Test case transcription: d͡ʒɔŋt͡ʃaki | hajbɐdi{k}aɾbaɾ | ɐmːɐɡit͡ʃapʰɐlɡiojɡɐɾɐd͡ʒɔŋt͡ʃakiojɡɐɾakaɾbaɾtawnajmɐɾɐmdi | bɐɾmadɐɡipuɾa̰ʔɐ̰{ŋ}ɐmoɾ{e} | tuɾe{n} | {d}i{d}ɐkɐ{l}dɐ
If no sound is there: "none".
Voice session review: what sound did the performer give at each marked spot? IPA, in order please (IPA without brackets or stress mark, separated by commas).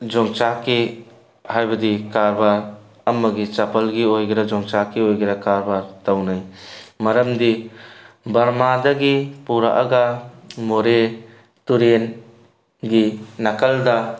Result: k, ɡ, e, n, ɡ, n, l